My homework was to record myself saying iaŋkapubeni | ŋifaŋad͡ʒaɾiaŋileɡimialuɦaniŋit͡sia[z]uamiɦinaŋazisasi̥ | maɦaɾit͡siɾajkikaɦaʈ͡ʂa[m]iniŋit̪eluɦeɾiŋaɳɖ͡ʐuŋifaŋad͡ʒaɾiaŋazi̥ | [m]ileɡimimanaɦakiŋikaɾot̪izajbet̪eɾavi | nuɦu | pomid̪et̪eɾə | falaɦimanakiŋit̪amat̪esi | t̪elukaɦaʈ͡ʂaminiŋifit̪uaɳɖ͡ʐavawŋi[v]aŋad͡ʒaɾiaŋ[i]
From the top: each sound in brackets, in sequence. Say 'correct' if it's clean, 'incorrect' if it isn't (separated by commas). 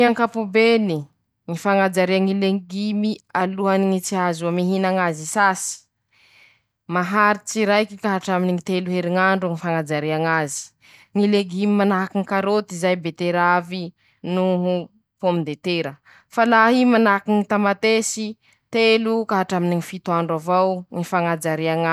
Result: correct, correct, incorrect, incorrect, incorrect